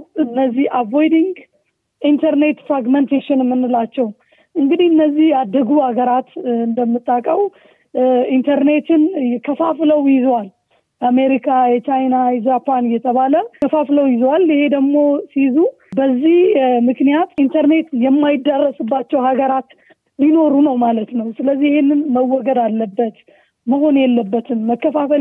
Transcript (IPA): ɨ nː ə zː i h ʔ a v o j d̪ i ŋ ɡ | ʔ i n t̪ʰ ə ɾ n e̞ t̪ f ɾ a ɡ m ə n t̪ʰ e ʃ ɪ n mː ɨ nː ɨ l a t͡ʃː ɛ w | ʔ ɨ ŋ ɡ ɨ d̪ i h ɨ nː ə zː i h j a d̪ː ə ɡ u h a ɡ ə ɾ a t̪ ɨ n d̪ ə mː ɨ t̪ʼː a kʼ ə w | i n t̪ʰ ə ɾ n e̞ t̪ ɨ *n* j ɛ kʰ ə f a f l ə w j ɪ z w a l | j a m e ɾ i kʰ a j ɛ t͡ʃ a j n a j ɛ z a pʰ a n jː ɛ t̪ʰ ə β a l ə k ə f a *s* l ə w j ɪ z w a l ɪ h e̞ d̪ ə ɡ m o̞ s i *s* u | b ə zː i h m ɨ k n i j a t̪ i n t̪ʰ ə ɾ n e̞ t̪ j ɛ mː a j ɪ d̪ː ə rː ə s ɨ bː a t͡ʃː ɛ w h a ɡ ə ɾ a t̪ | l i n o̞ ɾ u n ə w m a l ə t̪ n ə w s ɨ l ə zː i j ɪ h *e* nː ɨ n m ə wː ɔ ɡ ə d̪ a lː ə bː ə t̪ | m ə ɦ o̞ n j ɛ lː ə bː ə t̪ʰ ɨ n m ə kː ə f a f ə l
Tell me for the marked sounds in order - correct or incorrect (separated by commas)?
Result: correct, incorrect, incorrect, correct